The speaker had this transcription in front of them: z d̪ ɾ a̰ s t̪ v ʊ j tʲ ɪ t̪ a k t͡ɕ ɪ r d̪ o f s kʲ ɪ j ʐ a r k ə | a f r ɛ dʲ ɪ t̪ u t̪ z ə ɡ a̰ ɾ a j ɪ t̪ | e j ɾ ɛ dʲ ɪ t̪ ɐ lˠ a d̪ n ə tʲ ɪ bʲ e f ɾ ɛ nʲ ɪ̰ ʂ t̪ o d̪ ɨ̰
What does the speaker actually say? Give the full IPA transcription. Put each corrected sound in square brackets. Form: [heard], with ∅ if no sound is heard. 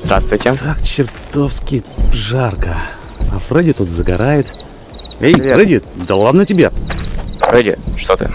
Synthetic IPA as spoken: z d̪ ɾ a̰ s t̪ v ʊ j tʲ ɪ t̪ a k t͡ɕ ɪ r [t̪] o f s kʲ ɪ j ʐ a r k ə | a f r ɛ dʲ ɪ t̪ u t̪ z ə ɡ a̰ ɾ a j ɪ t̪ | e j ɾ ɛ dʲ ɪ [d̪] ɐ lˠ a d̪ n ə tʲ ɪ bʲ e f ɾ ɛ [dʲ] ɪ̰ ʂ t̪ o [t̪] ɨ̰

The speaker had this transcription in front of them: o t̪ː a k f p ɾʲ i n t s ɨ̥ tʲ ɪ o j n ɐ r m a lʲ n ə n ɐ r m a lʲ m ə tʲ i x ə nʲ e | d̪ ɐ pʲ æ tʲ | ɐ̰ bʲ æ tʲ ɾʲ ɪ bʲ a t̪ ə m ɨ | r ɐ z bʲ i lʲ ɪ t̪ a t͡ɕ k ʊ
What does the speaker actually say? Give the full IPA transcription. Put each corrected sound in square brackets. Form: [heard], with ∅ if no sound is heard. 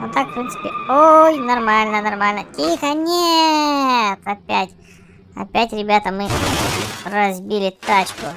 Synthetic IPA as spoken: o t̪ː a k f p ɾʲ i n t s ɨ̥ [pʲ] ɪ o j n ɐ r m a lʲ n ə n ɐ r m a lʲ [n] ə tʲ i x ə nʲ e | [t̪] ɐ pʲ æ tʲ | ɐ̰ [pʲ] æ tʲ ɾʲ ɪ bʲ a t̪ ə m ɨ | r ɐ z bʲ i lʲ ɪ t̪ a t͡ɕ k ʊ

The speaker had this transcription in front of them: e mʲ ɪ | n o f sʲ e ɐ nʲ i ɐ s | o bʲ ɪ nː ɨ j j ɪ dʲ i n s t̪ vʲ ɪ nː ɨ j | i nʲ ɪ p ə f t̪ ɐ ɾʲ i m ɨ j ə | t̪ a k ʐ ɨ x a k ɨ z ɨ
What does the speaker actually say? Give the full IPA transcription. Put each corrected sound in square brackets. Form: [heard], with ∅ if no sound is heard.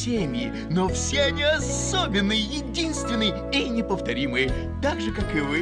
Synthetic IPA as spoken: e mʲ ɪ | n o f sʲ e ɐ nʲ i ɐ s | o bʲ ɪ nː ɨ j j ɪ dʲ i n s t̪ vʲ ɪ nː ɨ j | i nʲ ɪ p ə f t̪ ɐ ɾʲ i m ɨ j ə | t̪ a [ɡ] ʐ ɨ [k] a k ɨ [v] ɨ

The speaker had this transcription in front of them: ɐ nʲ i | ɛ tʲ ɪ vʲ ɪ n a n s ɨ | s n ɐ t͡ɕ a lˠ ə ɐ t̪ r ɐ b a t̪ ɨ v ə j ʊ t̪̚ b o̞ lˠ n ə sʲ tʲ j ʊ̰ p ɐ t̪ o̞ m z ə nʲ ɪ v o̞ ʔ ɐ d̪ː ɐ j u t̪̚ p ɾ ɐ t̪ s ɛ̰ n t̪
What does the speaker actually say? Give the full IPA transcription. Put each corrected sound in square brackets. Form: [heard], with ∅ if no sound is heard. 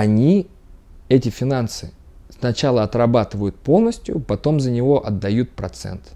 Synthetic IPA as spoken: ɐ nʲ i | ɛ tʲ ɪ [fʲ] ɪ n a n s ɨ | s n ɐ t͡ɕ a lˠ ə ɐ t̪ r ɐ b a t̪ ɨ v ə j ʊ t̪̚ [p] o̞ lˠ n ə sʲ tʲ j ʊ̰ p ɐ t̪ o̞ m z ə nʲ ɪ v o̞ ʔ ɐ d̪ː ɐ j u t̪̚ p ɾ ɐ t̪ s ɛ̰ n t̪

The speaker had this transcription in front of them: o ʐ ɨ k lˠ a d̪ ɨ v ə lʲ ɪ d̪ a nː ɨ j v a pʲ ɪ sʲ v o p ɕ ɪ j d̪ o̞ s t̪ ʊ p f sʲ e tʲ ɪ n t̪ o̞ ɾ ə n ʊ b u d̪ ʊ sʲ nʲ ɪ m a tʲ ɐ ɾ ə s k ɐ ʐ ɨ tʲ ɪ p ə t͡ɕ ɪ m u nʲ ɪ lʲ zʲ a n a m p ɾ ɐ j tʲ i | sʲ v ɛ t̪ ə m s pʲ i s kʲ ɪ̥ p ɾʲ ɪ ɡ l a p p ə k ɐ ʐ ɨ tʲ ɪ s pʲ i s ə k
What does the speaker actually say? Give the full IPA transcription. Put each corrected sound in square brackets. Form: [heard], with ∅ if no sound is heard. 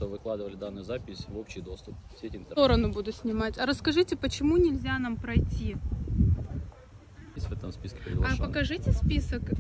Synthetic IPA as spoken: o [v] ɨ k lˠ a d̪ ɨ v ə lʲ ɪ d̪ a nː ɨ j [z] a pʲ ɪ sʲ v o p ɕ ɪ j d̪ o̞ s t̪ ʊ p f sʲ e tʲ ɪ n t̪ o̞ ɾ ə n ʊ b u d̪ ʊ sʲ nʲ ɪ m a tʲ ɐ ɾ ə s k ɐ ʐ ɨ tʲ ɪ p ə t͡ɕ ɪ m u nʲ ɪ lʲ zʲ a n a m p ɾ ɐ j tʲ i | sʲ v ɛ t̪ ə m s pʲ i s kʲ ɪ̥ p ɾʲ ɪ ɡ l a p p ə k ɐ ʐ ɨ tʲ ɪ s pʲ i s ə k

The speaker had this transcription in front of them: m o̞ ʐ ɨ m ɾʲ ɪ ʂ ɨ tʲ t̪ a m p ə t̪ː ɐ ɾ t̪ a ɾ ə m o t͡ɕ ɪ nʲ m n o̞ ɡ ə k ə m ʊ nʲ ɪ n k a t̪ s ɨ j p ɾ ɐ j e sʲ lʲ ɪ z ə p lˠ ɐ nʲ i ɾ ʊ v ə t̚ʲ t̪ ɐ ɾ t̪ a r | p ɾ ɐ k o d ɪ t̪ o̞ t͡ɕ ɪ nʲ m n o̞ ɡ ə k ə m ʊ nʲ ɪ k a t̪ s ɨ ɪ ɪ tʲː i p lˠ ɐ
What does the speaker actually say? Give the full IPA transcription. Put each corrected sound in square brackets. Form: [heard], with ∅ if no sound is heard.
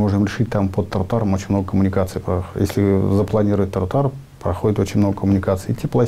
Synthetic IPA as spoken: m o̞ ʐ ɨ m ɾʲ ɪ ʂ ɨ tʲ t̪ a m p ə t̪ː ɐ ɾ t̪ a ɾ ə m o t͡ɕ ɪ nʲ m n o̞ ɡ ə k ə m ʊ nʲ ɪ [∅] k a t̪ s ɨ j p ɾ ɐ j e sʲ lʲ ɪ z ə p lˠ ɐ nʲ i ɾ ʊ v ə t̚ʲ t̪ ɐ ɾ t̪ a r | p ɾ ɐ [x] o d ɪ t̪ o̞ t͡ɕ ɪ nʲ m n o̞ ɡ ə k ə m ʊ nʲ ɪ k a t̪ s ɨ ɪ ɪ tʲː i p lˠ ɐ

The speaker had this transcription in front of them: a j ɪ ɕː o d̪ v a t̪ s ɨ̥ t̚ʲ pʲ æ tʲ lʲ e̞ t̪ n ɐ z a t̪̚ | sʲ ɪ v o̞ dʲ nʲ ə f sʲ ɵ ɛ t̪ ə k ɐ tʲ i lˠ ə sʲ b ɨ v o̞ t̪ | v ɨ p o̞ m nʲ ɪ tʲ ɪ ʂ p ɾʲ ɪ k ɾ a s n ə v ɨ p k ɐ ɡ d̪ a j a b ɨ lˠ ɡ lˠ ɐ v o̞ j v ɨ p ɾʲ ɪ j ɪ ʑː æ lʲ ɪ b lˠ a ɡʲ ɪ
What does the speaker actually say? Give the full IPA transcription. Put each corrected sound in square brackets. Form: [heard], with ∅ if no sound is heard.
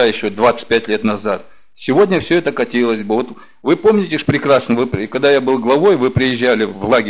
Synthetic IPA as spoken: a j ɪ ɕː o d̪ v a t̪ s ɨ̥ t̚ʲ pʲ æ tʲ lʲ e̞ t̪ n ɐ z a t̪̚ | sʲ ɪ v o̞ dʲ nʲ ə f sʲ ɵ ɛ t̪ ə k ɐ tʲ i lˠ ə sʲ b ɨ v o̞ t̪ | v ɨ p o̞ m nʲ ɪ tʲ ɪ ʂ p ɾʲ ɪ k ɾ a s n ə v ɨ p k ɐ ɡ d̪ a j a b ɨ lˠ ɡ lˠ ɐ v o̞ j v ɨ p ɾʲ ɪ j ɪ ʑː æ lʲ ɪ [v] lˠ a ɡʲ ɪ

